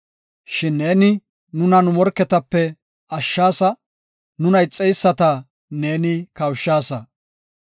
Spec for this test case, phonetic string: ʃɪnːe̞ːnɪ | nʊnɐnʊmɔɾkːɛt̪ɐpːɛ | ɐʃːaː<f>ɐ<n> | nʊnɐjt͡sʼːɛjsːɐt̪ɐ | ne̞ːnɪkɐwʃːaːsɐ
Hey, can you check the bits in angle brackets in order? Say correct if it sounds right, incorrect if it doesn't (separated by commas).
incorrect, incorrect